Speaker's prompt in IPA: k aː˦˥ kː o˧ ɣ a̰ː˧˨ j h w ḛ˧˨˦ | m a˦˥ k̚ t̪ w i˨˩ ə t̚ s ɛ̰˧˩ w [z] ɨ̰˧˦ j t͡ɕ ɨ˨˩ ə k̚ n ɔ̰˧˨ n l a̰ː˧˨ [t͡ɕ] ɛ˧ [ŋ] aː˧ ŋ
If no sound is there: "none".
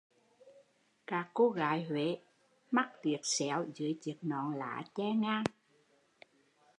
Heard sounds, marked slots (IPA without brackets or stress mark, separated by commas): z, t͡ɕ, ŋ